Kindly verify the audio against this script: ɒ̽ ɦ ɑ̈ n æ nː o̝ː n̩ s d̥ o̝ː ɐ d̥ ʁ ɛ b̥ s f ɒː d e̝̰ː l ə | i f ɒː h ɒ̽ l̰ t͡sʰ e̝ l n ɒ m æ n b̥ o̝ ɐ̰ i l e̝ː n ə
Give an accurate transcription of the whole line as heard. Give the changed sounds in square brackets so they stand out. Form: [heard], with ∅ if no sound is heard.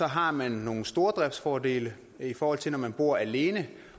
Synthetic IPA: ɒ̽ ɦ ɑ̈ [m] æ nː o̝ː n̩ s d̥ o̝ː ɐ d̥ ʁ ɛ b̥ s f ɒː d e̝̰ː l ə | i f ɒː h ɒ̽ l̰ t͡sʰ e̝ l n ɒ m æ n b̥ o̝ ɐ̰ [æ] l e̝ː n ə